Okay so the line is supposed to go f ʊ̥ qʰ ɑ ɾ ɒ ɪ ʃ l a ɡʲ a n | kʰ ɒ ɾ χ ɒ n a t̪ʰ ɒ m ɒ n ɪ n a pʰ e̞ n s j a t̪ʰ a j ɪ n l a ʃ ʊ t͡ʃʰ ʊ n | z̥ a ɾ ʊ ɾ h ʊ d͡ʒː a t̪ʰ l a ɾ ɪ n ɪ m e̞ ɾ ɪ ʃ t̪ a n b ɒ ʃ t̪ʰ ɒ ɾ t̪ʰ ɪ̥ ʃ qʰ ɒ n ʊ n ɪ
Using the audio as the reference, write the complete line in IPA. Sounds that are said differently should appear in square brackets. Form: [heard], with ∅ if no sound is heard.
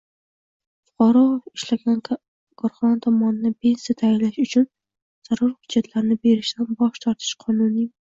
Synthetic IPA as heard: f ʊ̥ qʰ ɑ ɾ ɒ ɪ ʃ l a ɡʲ a n | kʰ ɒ ɾ χ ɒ n a t̪ʰ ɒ m ɒ n ɪ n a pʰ e̞ n s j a t̪ʰ a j ɪ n l a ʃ ʊ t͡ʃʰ ʊ n | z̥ a ɾ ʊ ɾ h ʊ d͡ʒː a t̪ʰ l a ɾ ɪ n ɪ [b] e̞ ɾ ɪ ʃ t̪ a n b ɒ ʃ t̪ʰ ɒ ɾ t̪ʰ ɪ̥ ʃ qʰ ɒ n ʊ n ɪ